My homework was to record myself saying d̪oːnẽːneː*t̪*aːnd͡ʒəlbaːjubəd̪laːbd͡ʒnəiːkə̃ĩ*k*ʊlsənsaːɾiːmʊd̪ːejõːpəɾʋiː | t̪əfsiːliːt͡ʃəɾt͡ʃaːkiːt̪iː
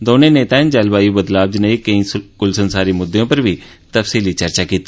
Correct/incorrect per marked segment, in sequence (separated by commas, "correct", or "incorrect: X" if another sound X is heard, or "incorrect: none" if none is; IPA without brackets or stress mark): correct, correct